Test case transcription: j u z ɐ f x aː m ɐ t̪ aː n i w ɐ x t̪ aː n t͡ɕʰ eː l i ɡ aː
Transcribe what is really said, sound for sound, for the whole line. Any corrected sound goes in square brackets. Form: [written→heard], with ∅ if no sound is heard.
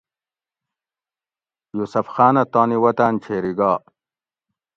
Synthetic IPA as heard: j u [z→s] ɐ f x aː [m→n] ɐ t̪ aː n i w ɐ [x→∅] t̪ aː n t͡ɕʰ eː [l→ɾ] i ɡ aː